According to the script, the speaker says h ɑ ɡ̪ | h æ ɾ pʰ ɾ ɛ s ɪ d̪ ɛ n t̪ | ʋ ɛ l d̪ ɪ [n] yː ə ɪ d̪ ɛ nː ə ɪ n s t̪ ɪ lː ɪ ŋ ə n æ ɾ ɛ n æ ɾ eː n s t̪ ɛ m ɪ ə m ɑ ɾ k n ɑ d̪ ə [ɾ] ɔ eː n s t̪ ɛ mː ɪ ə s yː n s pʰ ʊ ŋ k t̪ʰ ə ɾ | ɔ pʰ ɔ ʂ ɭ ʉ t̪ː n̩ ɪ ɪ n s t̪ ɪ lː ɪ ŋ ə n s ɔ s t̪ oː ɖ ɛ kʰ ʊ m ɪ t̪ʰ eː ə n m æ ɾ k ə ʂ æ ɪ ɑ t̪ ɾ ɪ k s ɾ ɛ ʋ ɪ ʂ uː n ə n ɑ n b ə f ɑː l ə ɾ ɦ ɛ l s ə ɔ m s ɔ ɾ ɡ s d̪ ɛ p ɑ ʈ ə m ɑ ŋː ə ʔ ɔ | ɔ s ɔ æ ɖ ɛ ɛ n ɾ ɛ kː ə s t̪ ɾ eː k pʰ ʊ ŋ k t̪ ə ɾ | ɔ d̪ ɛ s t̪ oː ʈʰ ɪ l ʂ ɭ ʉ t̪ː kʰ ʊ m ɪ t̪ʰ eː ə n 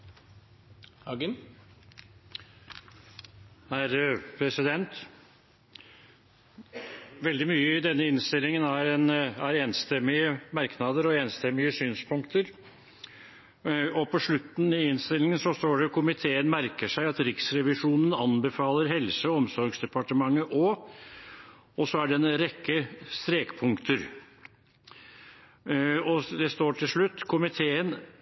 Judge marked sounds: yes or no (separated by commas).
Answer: no, yes